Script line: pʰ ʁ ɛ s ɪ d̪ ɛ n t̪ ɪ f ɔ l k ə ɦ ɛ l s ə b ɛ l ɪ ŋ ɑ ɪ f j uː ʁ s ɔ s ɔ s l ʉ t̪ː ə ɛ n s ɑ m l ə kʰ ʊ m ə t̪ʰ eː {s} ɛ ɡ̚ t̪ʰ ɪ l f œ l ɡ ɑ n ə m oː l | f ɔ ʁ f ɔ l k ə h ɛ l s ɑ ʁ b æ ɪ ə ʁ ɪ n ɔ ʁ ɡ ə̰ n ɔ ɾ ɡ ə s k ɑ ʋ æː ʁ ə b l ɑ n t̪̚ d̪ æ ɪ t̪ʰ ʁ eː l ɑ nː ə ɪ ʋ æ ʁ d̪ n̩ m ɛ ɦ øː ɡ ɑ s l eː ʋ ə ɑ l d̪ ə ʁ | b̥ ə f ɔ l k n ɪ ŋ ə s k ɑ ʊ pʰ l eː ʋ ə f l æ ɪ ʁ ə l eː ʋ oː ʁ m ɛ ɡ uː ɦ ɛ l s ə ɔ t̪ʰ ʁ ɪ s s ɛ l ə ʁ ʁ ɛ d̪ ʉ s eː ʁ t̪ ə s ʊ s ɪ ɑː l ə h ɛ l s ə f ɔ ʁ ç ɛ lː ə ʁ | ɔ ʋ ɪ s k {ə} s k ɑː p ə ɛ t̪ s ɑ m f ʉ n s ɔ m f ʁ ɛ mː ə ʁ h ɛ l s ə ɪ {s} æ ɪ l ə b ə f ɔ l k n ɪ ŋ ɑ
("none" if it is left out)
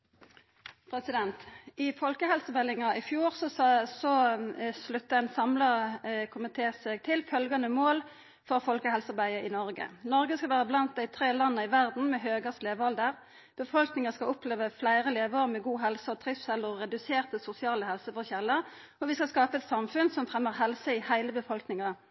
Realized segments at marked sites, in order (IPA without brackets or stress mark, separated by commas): s, ɑ, h